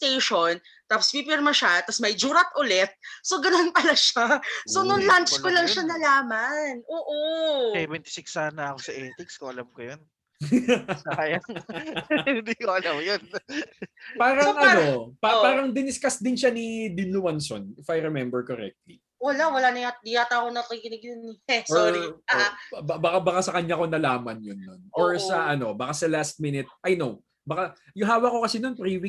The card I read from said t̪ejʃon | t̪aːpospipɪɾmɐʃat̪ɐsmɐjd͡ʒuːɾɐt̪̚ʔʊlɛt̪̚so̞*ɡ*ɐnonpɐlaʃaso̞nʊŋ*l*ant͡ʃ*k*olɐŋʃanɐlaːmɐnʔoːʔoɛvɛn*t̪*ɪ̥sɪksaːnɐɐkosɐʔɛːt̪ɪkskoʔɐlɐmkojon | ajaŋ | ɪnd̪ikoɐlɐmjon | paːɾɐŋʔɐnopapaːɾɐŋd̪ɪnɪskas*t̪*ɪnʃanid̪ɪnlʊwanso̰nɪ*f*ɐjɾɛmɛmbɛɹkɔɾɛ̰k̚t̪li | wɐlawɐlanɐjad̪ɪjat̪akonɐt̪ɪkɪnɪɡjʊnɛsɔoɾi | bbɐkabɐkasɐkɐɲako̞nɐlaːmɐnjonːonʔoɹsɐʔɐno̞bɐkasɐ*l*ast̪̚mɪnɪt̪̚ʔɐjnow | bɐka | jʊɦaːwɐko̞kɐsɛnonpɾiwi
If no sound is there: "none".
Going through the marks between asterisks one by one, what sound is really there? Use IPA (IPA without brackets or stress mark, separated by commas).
ɡ, l, k, t̪, d̪, f, l